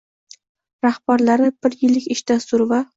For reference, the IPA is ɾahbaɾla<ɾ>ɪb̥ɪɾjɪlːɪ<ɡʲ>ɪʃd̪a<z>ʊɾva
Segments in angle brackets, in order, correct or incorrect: correct, incorrect, incorrect

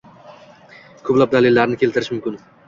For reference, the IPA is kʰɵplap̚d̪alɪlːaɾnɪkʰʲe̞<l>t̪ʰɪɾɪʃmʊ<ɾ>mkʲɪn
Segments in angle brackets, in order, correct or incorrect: correct, incorrect

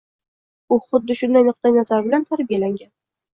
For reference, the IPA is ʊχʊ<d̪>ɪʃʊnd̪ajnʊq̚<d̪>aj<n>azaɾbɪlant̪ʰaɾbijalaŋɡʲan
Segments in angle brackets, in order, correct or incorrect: incorrect, incorrect, correct

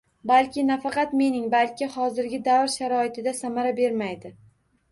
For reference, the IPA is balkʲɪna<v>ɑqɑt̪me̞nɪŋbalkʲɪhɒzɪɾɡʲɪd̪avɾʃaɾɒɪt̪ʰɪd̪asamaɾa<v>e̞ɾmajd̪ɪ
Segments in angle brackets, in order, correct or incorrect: incorrect, incorrect

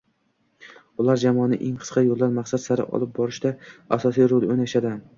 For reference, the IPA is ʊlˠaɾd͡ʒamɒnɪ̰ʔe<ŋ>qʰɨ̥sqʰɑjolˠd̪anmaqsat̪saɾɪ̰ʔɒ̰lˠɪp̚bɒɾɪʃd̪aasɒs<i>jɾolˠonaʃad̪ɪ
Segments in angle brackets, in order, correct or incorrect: correct, correct

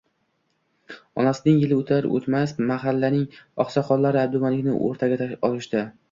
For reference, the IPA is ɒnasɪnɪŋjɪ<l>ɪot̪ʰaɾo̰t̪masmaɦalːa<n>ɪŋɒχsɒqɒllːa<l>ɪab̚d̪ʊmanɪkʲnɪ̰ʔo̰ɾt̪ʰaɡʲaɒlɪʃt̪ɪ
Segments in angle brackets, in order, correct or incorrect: correct, correct, incorrect

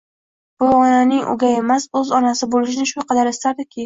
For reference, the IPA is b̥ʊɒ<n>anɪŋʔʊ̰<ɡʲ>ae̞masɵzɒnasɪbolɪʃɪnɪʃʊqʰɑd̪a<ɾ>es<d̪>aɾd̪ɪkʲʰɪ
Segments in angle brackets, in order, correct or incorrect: correct, correct, correct, incorrect

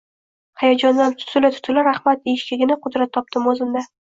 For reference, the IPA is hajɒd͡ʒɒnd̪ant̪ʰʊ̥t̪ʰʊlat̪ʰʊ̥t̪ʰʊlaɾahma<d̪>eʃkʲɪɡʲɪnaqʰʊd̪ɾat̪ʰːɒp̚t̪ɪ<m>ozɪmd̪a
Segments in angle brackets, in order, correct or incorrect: incorrect, correct

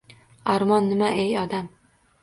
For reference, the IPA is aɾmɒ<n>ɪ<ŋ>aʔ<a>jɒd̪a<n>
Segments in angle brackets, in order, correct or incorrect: incorrect, incorrect, incorrect, incorrect

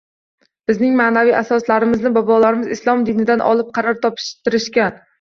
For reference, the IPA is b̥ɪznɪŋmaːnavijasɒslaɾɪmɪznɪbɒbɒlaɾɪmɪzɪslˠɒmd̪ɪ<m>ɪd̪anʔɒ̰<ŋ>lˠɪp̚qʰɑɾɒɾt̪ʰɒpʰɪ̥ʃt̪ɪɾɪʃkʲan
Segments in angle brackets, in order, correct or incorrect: incorrect, incorrect

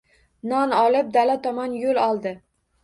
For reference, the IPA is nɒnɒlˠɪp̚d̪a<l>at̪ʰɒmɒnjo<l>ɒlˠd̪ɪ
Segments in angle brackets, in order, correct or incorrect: correct, correct

